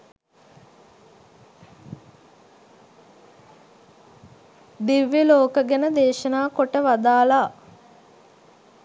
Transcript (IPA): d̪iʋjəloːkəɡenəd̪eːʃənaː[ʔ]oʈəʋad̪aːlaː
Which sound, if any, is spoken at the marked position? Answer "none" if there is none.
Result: k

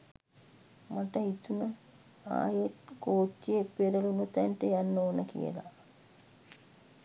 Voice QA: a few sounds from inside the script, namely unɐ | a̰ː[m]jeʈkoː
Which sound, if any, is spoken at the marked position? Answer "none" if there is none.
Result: none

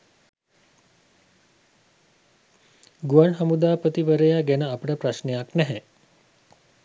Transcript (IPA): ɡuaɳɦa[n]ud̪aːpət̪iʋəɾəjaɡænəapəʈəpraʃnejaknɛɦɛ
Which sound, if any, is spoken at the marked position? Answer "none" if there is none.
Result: m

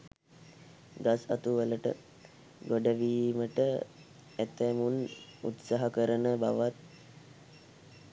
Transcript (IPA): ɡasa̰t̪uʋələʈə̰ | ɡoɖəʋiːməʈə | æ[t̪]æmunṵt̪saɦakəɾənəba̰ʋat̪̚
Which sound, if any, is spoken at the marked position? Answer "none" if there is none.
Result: t̪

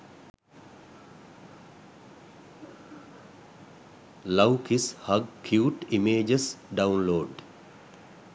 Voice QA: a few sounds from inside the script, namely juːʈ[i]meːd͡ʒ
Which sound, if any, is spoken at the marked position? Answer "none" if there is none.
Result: i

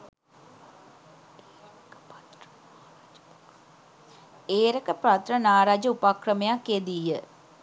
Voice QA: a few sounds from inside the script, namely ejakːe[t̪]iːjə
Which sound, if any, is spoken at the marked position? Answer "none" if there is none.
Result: d̪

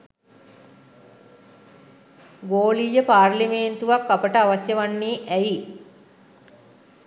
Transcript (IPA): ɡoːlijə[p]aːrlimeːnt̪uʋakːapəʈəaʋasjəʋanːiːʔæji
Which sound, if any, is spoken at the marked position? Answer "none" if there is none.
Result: p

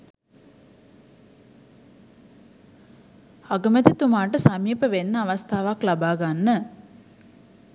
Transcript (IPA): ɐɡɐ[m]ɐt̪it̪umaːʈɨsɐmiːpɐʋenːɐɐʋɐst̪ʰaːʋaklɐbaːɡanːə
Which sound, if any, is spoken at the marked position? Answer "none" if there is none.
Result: m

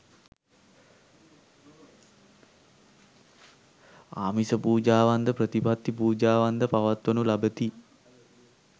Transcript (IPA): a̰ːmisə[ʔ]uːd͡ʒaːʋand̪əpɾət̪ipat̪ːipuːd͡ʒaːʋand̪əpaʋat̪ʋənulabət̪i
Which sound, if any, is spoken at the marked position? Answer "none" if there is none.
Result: p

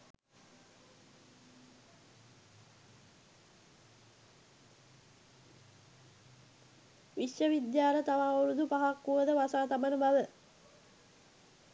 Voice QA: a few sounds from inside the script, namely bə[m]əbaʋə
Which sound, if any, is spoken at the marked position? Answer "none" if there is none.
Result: n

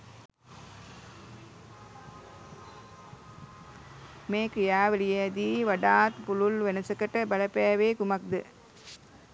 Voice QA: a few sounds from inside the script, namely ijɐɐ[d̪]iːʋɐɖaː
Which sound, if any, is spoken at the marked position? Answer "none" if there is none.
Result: d̪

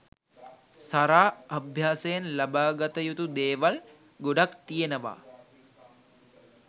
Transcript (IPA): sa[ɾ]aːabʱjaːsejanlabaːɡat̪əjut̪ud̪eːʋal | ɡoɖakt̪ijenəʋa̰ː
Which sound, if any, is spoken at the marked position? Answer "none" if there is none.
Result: ɾ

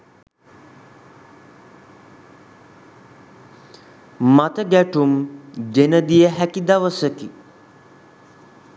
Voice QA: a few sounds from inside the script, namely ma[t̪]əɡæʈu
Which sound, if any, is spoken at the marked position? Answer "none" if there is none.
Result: t̪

